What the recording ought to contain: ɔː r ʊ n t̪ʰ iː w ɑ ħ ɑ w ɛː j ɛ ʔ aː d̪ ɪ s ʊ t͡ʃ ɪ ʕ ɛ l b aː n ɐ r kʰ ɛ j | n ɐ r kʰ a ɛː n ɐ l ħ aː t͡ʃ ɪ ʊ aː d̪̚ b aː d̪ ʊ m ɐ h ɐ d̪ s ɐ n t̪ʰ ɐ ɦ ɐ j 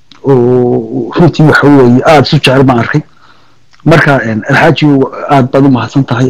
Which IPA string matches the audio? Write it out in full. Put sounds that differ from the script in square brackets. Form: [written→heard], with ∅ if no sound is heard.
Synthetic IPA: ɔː r ʊ n t̪ʰ iː w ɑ ħ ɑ w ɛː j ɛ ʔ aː d̪ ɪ s ʊ t͡ʃ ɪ ʕ ɛ l b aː n ɐ r kʰ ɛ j | [n→m] ɐ r kʰ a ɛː n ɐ l ħ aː t͡ʃ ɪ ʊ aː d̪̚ b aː d̪ ʊ m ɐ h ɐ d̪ s ɐ n t̪ʰ ɐ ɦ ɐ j